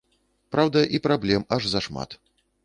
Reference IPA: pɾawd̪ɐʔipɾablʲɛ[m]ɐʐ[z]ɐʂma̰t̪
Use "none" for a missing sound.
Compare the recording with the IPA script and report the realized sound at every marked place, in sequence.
m, z

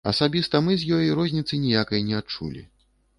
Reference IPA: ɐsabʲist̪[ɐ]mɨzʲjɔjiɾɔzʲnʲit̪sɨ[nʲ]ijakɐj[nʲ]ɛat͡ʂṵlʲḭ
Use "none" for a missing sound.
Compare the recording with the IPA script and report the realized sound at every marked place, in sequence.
ɐ, nʲ, nʲ

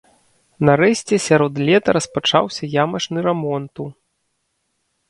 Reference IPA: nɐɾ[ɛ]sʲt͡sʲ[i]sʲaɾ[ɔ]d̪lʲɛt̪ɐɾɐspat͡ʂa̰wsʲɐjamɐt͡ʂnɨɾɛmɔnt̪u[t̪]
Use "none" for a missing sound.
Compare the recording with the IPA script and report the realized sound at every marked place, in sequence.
ɛ, ɛ, ɔ, none

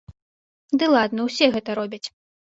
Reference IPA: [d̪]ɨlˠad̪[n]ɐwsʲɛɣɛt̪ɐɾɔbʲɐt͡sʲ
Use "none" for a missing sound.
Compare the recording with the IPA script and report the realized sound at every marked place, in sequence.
d̪, n

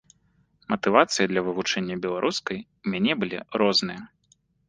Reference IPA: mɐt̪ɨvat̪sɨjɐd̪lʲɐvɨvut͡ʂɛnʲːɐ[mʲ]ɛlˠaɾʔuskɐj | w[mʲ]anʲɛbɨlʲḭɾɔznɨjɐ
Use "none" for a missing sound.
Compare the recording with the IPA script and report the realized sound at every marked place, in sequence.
bʲ, mʲ

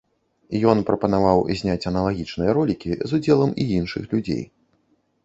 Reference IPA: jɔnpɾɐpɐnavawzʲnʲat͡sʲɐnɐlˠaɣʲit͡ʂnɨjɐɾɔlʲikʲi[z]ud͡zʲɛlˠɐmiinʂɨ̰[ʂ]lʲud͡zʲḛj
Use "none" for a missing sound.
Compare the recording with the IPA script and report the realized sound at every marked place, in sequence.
z, x

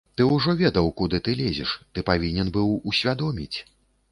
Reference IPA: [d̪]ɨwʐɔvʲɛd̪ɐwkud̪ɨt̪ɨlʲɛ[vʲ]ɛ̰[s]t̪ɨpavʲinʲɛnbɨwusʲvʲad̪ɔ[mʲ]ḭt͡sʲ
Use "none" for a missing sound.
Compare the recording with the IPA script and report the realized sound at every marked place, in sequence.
t̪, zʲ, ʂ, mʲ

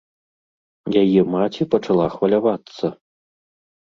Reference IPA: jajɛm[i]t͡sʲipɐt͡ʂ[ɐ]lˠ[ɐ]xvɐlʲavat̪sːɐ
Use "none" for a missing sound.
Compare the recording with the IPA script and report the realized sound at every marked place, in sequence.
a, a, a

